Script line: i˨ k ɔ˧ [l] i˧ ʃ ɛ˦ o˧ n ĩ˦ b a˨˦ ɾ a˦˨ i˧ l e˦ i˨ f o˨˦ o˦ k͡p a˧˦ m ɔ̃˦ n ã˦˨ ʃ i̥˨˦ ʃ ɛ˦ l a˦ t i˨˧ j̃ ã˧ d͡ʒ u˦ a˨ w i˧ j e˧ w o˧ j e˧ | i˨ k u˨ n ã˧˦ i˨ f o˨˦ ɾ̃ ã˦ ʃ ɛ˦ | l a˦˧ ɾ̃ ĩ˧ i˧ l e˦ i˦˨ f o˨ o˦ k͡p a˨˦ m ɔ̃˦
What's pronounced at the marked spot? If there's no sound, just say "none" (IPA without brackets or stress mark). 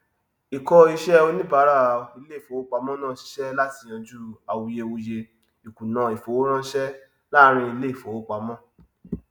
none